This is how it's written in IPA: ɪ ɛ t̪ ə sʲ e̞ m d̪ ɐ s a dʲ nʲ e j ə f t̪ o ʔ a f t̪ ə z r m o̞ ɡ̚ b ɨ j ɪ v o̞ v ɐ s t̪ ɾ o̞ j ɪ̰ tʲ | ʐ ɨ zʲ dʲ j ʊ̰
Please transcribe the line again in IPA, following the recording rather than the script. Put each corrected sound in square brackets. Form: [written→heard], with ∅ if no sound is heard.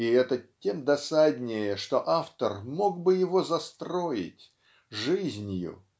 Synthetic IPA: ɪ ɛ t̪ ə [sʲ→tʲ] e̞ m d̪ ɐ s a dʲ nʲ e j ə [f→ʂ] t̪ o ʔ a f t̪ ə [z→∅] r m o̞ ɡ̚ b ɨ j ɪ v o̞ [v→z] ɐ s t̪ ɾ o̞ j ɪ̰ tʲ | ʐ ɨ zʲ [dʲ→nʲ] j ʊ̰

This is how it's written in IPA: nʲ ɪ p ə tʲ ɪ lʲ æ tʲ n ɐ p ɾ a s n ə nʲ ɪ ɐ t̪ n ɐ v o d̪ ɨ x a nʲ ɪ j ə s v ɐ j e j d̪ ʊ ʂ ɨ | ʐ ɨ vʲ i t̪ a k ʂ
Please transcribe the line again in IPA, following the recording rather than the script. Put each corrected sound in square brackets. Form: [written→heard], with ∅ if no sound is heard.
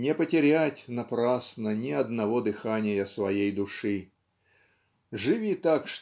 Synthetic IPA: nʲ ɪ p ə tʲ ɪ [lʲ→ɾʲ] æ tʲ n ɐ p ɾ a s n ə nʲ ɪ ɐ [t̪→d̪] n ɐ v o d̪ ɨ x a nʲ ɪ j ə s v ɐ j e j d̪ ʊ ʂ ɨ | ʐ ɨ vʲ i t̪ a k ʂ

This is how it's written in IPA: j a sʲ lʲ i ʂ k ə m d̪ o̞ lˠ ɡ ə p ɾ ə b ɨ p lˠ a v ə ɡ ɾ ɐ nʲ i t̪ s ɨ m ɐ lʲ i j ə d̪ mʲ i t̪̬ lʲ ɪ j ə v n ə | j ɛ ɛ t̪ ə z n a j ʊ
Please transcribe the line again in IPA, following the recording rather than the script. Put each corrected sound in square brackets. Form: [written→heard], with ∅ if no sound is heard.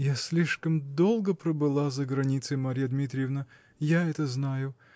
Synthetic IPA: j a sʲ lʲ i ʂ k ə m d̪ o̞ lˠ ɡ ə p ɾ ə b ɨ [p→∅] lˠ a [v→z] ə ɡ ɾ ɐ nʲ i t̪ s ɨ m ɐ [lʲ→ɾʲ] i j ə d̪ mʲ i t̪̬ [lʲ→ɾʲ] ɪ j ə v n ə | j [ɛ→a] ɛ t̪ ə z n a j ʊ

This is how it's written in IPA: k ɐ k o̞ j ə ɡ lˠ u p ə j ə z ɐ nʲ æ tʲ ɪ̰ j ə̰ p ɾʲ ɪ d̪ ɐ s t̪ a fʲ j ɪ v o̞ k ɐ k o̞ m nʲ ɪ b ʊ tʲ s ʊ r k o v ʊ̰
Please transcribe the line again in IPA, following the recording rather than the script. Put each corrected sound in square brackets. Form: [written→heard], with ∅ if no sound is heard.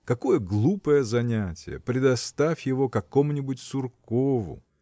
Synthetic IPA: k ɐ k o̞ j ə ɡ lˠ u p ə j ə z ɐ nʲ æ tʲ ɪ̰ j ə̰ p ɾʲ ɪ d̪ ɐ s t̪ a fʲ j ɪ v o̞ k ɐ k o̞ m nʲ ɪ b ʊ tʲ s ʊ r k o v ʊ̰

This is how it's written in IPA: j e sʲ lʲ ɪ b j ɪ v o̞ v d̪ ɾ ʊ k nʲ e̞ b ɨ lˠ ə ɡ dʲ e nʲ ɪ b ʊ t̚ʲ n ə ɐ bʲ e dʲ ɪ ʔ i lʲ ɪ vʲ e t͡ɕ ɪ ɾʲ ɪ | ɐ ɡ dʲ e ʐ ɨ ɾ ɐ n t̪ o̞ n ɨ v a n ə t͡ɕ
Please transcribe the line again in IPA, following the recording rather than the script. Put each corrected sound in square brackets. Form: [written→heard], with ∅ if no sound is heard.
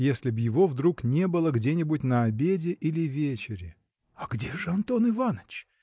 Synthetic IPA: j e sʲ lʲ ɪ b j ɪ v o̞ v d̪ ɾ [ʊ→u] k nʲ e̞ b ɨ lˠ ə ɡ dʲ e nʲ ɪ b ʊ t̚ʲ n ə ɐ bʲ e dʲ ɪ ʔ i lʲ ɪ vʲ e t͡ɕ ɪ ɾʲ ɪ | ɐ ɡ dʲ e ʐ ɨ [ɾ→∅] ɐ n t̪ o̞ n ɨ v a n ə t͡ɕ

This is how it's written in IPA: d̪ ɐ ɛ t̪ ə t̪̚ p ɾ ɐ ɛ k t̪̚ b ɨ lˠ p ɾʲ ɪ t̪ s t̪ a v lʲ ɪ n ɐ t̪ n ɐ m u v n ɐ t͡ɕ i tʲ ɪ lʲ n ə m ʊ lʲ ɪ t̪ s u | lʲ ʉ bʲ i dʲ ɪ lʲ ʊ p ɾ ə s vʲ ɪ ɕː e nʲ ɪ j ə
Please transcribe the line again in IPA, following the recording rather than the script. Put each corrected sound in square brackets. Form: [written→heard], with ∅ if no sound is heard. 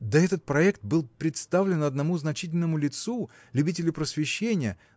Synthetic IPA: d̪ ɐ ɛ t̪ ə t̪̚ p ɾ ɐ ɛ k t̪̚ b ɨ lˠ p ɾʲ ɪ t̪ s t̪ a v lʲ ɪ n ɐ [t̪→d̪] n ɐ m u [v→z] n ɐ t͡ɕ i tʲ ɪ lʲ n ə m ʊ lʲ ɪ t̪ s u | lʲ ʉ bʲ i [dʲ→tʲ] ɪ lʲ ʊ p ɾ ə s vʲ ɪ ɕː e nʲ ɪ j ə

